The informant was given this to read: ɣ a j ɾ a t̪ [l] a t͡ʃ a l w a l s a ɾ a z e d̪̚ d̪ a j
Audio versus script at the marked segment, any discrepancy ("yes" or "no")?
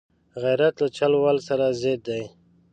no